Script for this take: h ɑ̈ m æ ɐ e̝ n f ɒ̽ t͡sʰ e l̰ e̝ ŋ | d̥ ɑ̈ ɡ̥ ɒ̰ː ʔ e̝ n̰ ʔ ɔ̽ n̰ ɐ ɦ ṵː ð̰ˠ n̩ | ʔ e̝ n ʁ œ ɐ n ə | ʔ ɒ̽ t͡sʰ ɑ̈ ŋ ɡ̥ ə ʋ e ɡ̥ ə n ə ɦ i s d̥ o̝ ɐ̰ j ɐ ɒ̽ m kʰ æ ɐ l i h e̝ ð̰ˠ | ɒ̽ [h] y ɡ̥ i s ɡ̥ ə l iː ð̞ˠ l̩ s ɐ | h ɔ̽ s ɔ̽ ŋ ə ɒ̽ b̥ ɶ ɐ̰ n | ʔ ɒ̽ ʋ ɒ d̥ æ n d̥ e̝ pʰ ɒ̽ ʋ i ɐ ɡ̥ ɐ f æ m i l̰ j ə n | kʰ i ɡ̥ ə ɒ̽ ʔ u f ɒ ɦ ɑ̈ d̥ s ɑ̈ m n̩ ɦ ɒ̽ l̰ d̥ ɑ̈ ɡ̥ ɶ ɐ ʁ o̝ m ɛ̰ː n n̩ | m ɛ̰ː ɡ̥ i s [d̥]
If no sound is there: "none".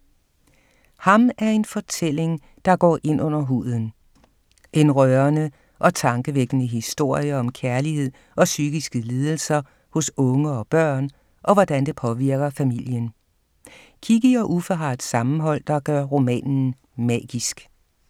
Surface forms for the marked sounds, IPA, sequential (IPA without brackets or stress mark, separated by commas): s, ɡ̥